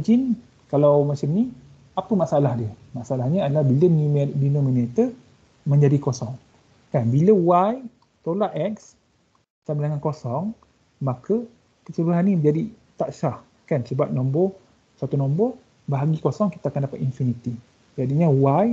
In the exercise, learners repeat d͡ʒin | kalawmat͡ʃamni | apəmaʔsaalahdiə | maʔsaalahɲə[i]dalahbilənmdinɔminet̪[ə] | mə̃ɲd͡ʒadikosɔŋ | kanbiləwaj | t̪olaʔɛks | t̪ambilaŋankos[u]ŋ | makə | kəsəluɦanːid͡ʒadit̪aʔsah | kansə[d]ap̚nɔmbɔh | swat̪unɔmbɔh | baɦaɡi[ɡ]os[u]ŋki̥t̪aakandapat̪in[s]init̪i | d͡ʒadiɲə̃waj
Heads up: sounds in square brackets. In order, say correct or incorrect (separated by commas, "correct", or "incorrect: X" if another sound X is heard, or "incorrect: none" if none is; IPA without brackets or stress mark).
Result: incorrect: a, correct, incorrect: ɔ, incorrect: b, incorrect: k, incorrect: ɔ, incorrect: f